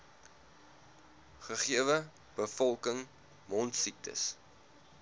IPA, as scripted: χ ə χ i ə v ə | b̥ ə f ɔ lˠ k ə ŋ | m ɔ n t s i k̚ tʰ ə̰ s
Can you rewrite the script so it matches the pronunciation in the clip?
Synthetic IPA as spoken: χ ə χ i ə v ə | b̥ ə f ɔ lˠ k ə ŋ | m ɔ n t s i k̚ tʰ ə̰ s